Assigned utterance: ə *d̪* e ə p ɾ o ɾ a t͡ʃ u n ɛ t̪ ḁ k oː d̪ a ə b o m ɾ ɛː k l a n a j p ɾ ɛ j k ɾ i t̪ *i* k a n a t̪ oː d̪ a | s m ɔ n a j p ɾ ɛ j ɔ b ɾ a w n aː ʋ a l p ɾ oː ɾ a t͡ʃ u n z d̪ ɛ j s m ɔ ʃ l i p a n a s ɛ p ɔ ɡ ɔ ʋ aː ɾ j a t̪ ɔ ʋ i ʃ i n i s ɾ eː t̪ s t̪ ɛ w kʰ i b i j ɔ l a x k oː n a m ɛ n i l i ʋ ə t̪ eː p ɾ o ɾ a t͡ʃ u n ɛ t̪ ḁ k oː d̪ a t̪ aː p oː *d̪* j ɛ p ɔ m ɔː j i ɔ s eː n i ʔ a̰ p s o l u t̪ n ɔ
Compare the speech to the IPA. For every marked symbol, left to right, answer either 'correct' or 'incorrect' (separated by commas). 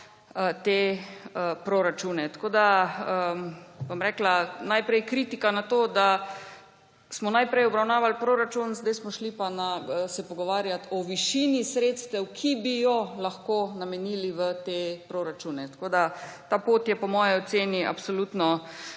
incorrect, correct, incorrect